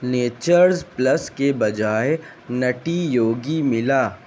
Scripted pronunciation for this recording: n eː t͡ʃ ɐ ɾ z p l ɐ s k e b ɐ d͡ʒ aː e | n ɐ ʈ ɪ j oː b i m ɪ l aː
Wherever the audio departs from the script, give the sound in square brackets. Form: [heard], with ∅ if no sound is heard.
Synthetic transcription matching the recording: n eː t͡ʃ [ə] ɾ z p l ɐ s k e b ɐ d͡ʒ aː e | n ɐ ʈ [i] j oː [ɡ] i m ɪ l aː